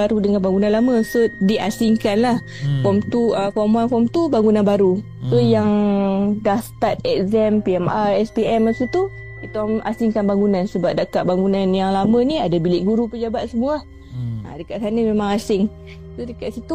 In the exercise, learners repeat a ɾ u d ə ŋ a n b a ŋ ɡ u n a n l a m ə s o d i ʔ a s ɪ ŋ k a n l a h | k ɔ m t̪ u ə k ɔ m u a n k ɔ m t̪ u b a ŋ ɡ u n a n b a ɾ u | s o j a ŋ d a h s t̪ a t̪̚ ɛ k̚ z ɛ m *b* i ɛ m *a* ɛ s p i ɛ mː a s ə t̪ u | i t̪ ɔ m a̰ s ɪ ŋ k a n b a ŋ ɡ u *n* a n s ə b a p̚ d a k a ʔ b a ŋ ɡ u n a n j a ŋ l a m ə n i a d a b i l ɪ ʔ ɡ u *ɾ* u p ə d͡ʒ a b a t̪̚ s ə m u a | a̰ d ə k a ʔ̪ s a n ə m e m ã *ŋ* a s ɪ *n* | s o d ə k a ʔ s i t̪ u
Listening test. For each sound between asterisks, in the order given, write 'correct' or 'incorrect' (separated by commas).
incorrect, correct, correct, correct, correct, incorrect